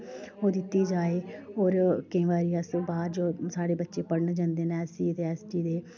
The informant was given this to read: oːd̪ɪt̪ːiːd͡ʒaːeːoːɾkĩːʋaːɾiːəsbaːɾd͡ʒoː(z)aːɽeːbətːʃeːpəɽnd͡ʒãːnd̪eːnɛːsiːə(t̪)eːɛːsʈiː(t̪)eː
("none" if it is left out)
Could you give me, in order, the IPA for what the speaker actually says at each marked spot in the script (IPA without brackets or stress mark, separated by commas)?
s, t̪, d̪